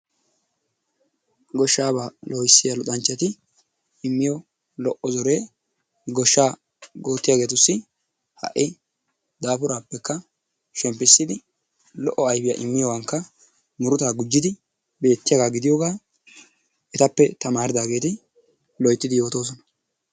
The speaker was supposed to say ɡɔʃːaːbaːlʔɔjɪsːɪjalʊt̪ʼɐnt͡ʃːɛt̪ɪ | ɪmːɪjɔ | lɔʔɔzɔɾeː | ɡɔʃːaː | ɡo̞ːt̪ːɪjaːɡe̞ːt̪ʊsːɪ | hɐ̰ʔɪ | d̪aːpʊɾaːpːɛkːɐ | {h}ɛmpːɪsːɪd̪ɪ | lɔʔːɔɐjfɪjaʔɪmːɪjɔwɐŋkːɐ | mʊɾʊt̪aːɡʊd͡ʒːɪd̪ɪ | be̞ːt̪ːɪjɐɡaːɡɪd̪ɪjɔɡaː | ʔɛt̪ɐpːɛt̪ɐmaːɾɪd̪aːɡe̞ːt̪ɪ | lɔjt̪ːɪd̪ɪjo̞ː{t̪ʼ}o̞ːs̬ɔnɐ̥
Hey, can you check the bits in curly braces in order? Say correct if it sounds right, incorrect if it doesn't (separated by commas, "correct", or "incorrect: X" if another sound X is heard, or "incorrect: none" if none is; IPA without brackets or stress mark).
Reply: incorrect: ʃ, incorrect: t̪